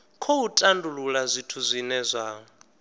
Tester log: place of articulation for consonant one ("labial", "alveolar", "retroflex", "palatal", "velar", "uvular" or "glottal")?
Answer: velar